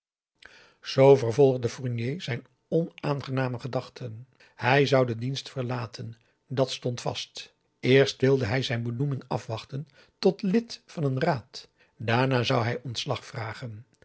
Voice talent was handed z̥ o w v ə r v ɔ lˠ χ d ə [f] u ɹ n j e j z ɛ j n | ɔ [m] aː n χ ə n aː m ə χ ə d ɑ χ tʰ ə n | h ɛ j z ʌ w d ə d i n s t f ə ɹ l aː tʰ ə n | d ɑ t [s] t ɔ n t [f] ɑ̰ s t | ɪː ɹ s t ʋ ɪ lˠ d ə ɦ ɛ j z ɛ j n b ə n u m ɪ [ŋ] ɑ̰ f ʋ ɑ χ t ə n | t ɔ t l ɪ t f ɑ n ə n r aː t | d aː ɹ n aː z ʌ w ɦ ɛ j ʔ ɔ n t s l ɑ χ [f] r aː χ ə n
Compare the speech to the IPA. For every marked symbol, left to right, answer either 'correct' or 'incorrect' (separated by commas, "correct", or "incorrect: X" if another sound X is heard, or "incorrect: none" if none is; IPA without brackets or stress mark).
correct, incorrect: n, correct, correct, correct, correct